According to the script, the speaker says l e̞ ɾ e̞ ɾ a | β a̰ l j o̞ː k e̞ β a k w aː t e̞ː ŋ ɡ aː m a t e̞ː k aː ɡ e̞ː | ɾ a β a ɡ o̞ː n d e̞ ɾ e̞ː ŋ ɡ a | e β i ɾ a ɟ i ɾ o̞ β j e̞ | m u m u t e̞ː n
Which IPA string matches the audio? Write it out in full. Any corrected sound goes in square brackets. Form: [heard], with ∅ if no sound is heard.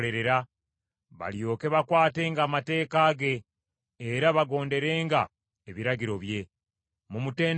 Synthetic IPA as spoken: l e̞ ɾ e̞ ɾ a | β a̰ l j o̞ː k e̞ β a k w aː t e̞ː ŋ ɡ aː m a t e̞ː k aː ɡ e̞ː | ɾ a β a ɡ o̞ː n d e̞ ɾ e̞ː ŋ ɡ a | e β i ɾ a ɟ i ɾ o̞ β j e̞ | m u m u t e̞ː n